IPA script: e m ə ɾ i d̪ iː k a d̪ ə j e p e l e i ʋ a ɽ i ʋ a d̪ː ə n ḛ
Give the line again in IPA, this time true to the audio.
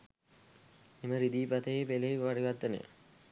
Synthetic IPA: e m ə ɾ i d̪ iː p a t̪ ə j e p e l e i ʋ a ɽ i ʋ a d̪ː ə n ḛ